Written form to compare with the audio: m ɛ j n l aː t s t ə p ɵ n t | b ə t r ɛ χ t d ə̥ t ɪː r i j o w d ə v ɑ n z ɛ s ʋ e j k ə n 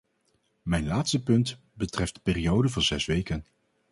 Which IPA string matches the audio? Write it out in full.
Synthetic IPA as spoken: m ɛ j n l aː t s t ə p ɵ n t | b ə t r ɛ f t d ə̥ p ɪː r i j o w d ə v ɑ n z ɛ s ʋ e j k ə n